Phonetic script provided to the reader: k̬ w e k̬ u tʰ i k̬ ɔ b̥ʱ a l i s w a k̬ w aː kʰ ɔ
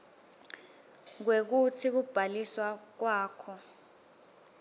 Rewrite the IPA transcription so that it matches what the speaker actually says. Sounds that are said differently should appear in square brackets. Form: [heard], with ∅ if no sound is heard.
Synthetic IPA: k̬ w e k̬ u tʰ i k̬ [u] b̥ʱ a l i s w a k̬ w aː kʰ ɔ